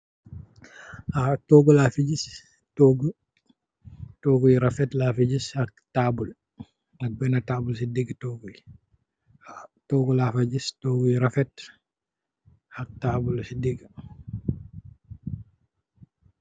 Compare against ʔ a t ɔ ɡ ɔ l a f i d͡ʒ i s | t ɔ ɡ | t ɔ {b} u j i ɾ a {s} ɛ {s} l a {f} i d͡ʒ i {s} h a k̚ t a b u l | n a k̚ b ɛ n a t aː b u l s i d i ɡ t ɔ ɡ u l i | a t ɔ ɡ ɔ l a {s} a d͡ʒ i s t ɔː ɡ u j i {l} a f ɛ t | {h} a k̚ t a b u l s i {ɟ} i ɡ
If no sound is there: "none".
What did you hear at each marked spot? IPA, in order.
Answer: ɡ, f, t, f, s, f, ɾ, h, d

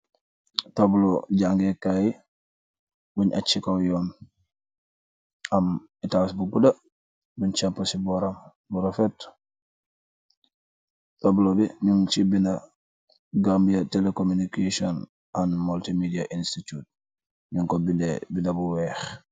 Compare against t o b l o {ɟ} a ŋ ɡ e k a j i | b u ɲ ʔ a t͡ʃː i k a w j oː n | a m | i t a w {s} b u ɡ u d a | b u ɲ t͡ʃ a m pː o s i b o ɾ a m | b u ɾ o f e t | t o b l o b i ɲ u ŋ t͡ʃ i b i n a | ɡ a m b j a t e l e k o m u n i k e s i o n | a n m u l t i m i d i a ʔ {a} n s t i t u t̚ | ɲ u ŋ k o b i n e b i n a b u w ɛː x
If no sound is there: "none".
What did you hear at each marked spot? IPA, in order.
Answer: ɟ, s, i

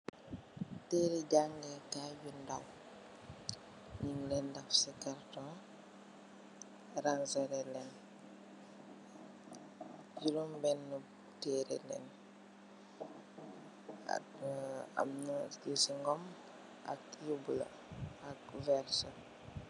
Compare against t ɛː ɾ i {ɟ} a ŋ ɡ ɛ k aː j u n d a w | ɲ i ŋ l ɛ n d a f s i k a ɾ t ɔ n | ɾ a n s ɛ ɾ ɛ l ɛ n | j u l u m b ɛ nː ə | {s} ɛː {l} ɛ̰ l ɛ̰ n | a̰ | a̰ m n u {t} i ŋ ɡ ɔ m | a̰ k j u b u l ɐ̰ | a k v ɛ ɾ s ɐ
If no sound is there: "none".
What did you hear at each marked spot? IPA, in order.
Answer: ɟ, t, ɾ, s

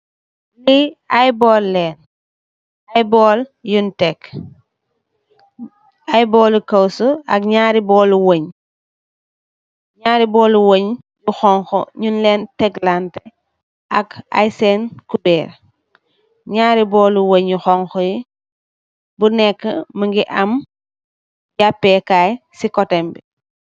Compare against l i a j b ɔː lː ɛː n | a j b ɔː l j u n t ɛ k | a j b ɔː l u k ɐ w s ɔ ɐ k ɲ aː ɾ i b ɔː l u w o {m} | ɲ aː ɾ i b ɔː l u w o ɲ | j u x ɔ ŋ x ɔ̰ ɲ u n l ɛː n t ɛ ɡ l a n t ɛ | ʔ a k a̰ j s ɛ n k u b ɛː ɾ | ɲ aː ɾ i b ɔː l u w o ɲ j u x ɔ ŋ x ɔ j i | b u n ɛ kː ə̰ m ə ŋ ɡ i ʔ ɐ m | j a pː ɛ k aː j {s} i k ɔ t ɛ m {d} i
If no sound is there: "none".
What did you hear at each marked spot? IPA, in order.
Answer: ɲ, s, b

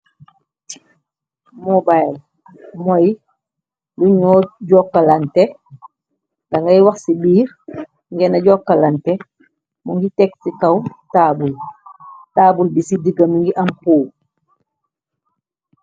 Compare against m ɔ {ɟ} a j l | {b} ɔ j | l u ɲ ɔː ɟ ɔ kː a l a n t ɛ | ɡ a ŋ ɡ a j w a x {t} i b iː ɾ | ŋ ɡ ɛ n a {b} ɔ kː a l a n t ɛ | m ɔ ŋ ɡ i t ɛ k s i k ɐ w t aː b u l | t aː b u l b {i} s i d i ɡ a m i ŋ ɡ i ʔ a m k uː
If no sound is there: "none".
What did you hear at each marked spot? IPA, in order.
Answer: b, m, s, ɟ, i

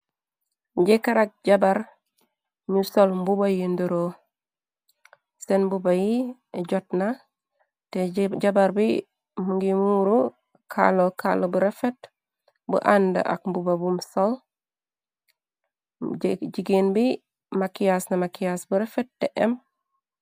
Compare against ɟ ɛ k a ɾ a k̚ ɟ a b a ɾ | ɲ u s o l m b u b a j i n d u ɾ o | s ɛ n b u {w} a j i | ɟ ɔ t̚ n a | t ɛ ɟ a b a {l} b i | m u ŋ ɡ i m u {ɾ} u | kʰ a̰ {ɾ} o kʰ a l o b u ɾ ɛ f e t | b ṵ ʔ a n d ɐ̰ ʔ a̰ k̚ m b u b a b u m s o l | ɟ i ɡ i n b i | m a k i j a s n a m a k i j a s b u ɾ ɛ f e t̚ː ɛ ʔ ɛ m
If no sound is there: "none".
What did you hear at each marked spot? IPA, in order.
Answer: b, ɾ, ɾ, l

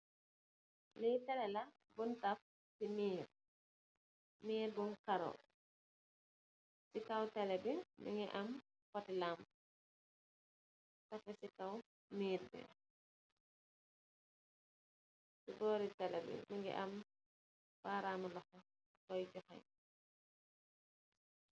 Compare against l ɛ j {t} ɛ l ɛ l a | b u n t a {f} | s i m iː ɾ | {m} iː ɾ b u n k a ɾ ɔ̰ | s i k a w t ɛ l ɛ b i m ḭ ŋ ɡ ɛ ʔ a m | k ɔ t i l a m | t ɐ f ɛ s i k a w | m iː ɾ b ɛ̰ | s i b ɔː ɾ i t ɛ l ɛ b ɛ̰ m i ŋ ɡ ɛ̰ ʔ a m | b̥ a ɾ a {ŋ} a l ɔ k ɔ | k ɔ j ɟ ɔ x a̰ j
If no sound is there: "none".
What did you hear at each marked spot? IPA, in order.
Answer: t, f, m, m

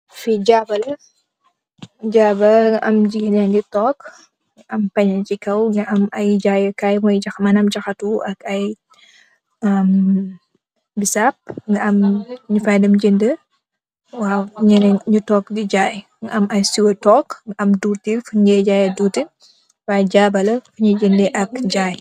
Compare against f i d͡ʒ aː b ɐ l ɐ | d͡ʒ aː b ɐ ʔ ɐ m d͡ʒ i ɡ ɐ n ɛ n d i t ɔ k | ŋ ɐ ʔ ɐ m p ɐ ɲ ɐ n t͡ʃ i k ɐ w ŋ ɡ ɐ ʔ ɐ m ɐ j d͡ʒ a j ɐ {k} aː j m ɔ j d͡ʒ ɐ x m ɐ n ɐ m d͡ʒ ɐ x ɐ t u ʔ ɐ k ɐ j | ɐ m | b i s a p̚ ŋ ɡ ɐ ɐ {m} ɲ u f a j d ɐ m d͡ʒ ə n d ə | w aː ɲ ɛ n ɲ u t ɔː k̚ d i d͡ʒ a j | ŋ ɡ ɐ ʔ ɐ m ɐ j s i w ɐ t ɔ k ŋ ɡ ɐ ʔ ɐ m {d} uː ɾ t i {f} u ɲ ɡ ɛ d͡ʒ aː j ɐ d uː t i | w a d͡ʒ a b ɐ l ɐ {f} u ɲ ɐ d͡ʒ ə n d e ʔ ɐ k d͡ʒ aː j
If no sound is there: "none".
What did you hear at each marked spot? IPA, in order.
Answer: k, m, d, f, f

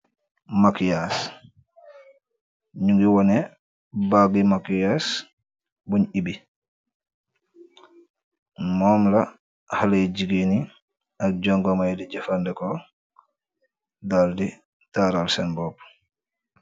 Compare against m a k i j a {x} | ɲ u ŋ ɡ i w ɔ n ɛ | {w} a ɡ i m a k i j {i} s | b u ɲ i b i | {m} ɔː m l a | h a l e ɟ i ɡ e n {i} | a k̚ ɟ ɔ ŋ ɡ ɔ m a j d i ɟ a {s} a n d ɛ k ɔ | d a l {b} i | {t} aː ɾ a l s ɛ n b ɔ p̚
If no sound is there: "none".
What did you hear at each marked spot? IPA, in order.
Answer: s, b, a, m, i, f, d, t

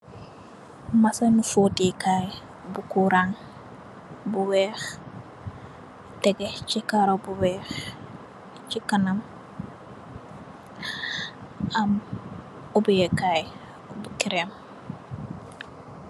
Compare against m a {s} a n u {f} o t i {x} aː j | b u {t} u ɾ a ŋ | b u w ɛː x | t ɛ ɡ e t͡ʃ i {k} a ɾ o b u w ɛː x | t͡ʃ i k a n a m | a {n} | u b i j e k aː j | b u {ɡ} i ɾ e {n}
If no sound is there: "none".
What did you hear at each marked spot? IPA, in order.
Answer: s, f, k, k, k, m, k, m

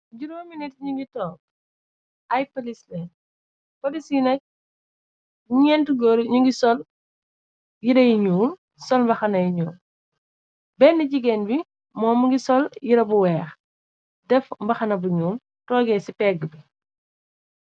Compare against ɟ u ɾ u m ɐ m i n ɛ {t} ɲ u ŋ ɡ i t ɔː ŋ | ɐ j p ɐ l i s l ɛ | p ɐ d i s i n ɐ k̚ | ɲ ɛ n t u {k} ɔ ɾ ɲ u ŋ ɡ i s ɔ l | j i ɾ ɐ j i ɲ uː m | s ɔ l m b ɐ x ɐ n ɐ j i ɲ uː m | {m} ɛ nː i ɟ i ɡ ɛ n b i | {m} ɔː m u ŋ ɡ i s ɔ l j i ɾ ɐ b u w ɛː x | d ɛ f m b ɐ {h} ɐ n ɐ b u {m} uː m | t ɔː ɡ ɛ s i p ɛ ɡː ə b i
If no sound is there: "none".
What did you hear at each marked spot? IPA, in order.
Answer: t, ɡ, b, m, x, ɲ

